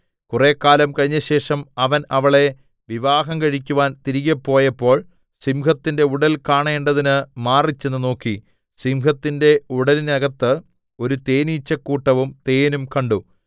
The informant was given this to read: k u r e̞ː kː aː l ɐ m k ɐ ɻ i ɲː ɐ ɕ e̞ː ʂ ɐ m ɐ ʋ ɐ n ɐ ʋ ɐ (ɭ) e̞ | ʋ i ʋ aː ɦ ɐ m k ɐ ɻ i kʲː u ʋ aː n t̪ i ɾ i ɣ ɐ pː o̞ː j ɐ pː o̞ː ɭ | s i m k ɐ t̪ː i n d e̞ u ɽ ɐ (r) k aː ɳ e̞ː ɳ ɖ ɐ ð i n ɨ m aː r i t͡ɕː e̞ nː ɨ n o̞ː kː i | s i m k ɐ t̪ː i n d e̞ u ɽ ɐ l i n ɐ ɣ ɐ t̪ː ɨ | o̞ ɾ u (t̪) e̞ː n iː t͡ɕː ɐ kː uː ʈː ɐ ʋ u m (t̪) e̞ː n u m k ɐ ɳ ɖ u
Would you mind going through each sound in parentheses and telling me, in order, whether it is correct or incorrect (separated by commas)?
correct, incorrect, correct, correct